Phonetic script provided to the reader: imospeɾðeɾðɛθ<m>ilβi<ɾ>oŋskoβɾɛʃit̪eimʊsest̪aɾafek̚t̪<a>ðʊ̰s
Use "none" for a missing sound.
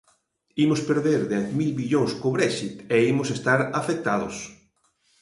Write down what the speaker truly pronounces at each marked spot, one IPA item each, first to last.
m, ʎ, a

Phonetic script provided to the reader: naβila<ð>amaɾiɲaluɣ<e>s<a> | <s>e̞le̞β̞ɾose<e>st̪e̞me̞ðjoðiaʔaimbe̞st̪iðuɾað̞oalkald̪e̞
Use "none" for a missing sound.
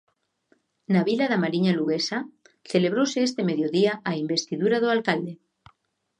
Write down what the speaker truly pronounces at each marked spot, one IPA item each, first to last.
ð, e, a, θ, e

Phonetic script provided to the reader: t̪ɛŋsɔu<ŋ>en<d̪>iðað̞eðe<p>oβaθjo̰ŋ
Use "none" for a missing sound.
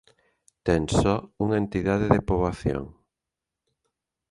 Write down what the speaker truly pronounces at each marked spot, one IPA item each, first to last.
ŋ, t̪, p

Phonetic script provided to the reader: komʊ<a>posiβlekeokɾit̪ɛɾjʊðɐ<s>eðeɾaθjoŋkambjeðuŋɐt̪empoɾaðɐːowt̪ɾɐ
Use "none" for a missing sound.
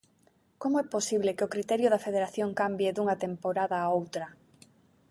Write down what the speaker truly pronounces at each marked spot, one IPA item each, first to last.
ɛ, f

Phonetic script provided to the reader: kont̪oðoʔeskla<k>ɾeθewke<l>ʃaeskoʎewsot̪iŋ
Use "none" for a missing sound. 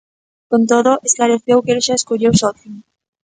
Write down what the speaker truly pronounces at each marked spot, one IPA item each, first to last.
none, l

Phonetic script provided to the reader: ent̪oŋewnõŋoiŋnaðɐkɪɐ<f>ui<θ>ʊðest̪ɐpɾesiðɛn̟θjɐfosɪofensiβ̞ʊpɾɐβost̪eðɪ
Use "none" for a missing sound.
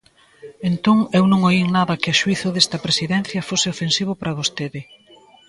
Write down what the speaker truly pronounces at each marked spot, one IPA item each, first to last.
ʃ, θ

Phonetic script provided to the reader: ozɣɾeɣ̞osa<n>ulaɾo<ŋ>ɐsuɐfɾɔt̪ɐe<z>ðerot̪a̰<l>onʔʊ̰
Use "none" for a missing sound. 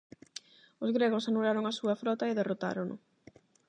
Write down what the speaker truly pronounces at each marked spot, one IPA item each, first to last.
n, ŋ, none, ɾ

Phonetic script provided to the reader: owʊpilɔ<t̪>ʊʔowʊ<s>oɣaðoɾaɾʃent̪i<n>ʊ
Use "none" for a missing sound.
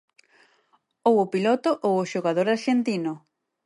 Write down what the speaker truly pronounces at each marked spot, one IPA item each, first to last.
t̪, ʃ, n

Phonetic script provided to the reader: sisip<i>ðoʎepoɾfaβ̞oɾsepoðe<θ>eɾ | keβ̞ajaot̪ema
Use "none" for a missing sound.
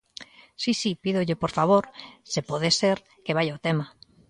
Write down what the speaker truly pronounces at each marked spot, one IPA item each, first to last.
i, s

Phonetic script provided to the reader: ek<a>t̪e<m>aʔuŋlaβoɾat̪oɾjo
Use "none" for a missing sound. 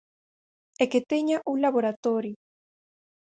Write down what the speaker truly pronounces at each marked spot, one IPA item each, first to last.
e, ɲ

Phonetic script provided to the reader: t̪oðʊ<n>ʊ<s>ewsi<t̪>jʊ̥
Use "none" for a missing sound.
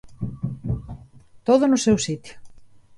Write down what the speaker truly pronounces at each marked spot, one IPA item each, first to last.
n, s, t̪

